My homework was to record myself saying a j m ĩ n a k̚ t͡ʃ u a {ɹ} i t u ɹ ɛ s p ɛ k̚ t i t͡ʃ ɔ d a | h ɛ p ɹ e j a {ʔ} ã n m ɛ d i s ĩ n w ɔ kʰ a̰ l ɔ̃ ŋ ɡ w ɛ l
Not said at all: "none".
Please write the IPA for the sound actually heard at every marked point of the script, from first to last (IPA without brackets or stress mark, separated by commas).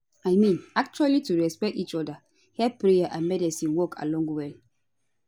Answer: l, ʔ